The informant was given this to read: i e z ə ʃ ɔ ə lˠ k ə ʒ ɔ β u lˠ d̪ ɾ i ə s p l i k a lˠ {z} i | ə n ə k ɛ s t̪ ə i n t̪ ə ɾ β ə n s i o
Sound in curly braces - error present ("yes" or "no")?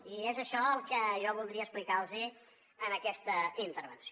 no